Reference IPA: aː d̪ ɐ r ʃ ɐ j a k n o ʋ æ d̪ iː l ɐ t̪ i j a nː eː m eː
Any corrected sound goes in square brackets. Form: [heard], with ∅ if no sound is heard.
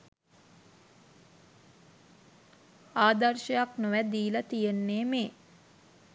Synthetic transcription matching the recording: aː d̪ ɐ r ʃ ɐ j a k n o ʋ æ d̪ iː l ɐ t̪ i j [e] nː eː m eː